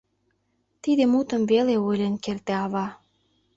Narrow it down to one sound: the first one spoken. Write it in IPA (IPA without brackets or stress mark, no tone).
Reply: t̪